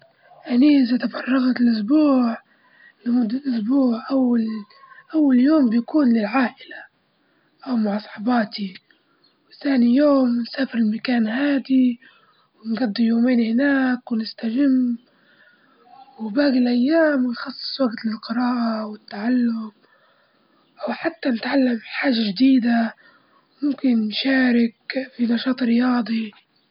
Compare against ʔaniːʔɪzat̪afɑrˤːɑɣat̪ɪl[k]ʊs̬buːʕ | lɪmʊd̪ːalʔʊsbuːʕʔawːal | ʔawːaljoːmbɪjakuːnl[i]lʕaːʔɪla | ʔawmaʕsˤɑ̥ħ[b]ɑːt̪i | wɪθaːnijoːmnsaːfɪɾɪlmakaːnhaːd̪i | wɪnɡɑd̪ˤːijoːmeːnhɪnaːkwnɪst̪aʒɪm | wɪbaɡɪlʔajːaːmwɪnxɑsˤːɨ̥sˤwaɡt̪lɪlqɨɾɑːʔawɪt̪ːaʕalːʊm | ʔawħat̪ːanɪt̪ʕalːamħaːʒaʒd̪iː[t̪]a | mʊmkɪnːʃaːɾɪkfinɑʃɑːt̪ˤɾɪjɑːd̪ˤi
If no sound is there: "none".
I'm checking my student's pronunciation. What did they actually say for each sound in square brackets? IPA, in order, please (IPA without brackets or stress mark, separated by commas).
ʔ, ɪ, b, d̪